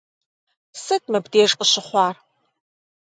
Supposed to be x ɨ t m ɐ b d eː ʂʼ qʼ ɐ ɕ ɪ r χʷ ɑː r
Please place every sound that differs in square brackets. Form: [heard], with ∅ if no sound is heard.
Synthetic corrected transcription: [s] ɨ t m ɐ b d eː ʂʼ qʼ [ə] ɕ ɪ [∅] χʷ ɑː r